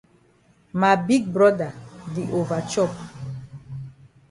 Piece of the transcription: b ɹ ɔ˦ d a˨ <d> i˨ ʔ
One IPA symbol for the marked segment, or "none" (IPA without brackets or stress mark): d